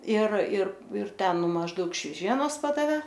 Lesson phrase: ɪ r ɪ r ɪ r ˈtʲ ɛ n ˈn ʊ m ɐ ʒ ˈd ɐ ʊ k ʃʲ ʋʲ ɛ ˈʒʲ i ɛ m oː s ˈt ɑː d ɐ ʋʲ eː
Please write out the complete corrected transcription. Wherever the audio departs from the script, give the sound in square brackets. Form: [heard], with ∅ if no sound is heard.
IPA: ɪ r ɪ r ɪ r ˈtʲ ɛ n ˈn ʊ m ɐ ʒ ˈd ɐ ʊ k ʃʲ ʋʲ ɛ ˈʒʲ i ɛ [n] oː s [ˈp] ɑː d ɐ ʋʲ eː